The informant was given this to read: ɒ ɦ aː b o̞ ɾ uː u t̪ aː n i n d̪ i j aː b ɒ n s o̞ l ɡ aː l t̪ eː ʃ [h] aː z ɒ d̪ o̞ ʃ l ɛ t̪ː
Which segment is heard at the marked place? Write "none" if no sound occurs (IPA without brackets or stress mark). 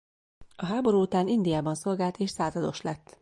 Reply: s